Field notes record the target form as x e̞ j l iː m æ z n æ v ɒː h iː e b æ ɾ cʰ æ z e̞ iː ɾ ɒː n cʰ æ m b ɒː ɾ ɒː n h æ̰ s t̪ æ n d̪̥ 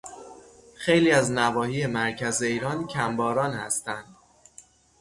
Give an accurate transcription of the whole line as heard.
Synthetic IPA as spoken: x e̞ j l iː æ z n æ v ɒː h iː e m æ ɾ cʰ æ z e̞ iː ɾ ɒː n cʰ æ m b ɒː ɾ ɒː n h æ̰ s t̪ æ n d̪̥